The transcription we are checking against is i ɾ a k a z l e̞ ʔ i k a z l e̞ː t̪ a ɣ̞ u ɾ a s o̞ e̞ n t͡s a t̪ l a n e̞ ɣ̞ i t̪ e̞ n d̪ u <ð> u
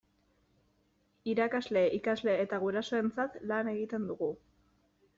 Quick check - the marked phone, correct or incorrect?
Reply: incorrect: ɣ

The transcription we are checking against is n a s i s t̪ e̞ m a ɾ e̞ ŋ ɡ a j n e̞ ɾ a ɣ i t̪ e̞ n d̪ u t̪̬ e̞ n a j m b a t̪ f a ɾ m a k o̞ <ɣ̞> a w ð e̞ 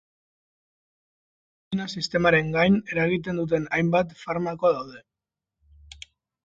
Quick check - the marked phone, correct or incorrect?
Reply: incorrect: ð̞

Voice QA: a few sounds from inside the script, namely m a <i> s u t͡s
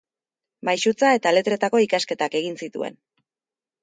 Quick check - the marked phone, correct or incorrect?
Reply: incorrect: j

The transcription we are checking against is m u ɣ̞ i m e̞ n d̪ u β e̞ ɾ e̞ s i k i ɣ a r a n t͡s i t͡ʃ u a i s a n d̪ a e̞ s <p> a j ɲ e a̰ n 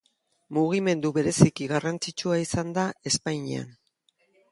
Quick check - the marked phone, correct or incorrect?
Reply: correct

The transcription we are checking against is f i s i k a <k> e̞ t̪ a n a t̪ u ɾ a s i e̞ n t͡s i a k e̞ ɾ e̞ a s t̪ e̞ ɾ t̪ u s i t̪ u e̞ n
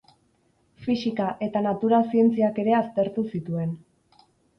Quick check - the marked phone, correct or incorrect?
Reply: incorrect: ʔ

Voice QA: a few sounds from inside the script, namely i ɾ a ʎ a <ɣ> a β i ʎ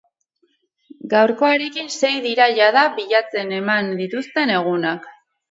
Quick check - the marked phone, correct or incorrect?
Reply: incorrect: ð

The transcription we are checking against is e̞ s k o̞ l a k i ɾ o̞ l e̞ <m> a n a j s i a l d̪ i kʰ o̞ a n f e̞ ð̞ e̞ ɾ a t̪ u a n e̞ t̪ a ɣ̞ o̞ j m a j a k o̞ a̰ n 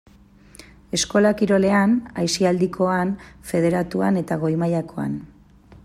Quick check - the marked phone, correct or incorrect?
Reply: incorrect: none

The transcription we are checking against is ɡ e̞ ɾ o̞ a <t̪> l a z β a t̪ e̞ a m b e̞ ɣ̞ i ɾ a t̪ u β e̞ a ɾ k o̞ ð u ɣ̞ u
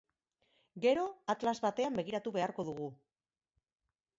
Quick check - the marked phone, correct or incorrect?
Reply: correct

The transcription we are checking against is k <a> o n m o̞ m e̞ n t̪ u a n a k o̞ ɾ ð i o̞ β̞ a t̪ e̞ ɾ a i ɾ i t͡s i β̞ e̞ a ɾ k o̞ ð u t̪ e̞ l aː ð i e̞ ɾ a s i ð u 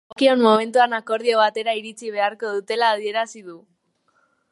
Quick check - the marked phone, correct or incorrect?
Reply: incorrect: i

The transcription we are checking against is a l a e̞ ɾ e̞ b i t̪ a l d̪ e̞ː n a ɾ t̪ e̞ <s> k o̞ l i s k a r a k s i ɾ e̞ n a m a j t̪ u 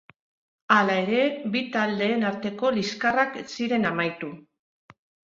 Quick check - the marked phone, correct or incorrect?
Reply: incorrect: none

